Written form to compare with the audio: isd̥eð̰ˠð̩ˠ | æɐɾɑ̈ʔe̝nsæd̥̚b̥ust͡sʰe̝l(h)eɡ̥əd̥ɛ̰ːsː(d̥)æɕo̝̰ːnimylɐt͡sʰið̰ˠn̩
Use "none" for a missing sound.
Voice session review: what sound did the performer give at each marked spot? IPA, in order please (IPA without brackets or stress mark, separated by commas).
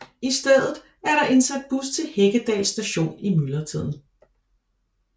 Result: h, d̥